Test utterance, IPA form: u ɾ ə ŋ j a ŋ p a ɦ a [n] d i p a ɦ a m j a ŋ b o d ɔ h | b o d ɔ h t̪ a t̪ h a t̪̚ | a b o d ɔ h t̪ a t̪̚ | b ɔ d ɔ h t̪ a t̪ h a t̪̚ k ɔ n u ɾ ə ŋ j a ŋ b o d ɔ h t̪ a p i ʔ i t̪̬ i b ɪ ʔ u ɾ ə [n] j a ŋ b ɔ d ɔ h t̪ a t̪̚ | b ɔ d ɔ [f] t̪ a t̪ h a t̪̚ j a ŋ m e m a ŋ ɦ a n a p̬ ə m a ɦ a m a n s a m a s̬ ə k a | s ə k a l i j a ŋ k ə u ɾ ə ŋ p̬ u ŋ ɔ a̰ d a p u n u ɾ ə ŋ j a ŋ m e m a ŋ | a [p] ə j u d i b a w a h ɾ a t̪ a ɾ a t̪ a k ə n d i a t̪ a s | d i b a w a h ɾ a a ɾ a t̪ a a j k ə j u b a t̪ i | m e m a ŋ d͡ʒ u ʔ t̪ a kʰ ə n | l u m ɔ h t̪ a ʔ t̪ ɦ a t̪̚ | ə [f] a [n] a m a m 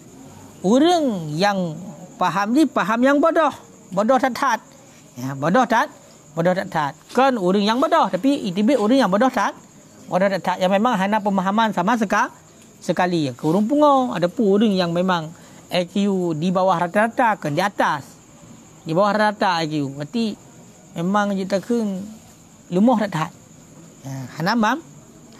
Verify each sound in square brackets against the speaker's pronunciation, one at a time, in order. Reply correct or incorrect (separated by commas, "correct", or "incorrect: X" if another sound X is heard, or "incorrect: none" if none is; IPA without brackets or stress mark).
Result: incorrect: m, incorrect: ŋ, incorrect: h, incorrect: k, incorrect: h, correct